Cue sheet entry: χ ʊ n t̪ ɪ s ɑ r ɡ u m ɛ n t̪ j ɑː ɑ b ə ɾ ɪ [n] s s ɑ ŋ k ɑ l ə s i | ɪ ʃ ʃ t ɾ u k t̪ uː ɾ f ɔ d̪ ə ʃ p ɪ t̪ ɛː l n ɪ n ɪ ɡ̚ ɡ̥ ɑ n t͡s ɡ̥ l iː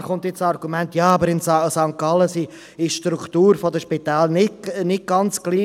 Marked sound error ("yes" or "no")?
no